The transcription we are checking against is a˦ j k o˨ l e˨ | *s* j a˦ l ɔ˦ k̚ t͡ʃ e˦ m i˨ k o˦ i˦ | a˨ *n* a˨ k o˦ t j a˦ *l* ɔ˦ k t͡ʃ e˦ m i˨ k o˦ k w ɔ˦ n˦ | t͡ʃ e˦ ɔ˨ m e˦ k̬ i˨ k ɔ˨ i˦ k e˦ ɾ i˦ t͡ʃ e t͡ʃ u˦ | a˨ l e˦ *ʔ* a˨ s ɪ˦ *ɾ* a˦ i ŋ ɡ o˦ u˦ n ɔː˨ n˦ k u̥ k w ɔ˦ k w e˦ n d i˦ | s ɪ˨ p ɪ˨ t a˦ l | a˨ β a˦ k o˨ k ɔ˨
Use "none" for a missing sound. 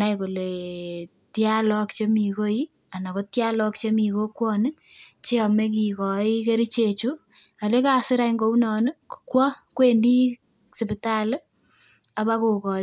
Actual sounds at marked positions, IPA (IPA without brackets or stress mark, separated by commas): t, n, l, k, ɾ